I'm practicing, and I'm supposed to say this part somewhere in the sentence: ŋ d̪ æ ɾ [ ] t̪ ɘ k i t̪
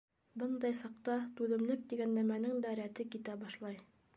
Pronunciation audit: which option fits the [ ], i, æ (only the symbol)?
æ